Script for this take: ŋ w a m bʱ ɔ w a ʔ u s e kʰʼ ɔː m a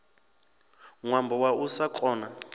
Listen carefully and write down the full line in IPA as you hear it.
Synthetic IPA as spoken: ŋ w a m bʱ ɔ w a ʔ u s a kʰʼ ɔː n a